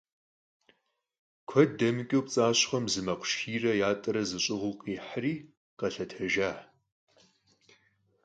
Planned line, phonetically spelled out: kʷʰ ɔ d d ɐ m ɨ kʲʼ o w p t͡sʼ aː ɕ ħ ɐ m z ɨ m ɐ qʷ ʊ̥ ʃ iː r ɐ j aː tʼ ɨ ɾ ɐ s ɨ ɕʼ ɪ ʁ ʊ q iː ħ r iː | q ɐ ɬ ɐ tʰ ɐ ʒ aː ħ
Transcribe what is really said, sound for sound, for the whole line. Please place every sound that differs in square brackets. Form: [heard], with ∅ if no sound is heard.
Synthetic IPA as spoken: kʷʰ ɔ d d ɐ m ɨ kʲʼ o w p t͡sʼ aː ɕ [χ] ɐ m z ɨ m ɐ qʷ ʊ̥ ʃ iː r ɐ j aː tʼ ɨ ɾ ɐ [z] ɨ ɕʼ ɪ ʁ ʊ q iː ħ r iː | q ɐ ɬ ɐ tʰ ɐ ʒ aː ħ